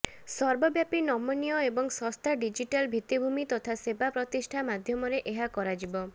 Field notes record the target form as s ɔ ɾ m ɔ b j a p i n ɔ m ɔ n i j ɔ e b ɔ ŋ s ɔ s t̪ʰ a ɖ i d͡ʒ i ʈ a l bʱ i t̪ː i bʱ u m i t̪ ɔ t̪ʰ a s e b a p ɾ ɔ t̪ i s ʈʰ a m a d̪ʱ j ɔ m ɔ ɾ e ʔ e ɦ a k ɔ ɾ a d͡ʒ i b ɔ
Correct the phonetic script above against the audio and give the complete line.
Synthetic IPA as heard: s ɔ ɾ b ɔ b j a p i n ɔ m ɔ n i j ɔ e b ɔ ŋ s ɔ s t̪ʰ a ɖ i d͡ʒ i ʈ a l bʱ i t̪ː i bʱ u m i t̪ ɔ t̪ʰ a s e b a p ɾ ɔ t̪ i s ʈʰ a m a d̪ʱ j ɔ m ɔ ɾ e ʔ e ɦ a k ɔ ɾ a d͡ʒ i b ɔ